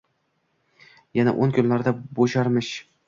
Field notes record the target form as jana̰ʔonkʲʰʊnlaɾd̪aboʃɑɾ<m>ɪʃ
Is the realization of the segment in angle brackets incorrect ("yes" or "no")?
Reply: no